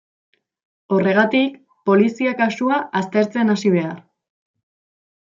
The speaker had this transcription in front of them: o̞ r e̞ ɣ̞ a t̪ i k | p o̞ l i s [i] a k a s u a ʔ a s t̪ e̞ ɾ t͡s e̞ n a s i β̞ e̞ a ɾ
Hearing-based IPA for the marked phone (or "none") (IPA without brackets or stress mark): i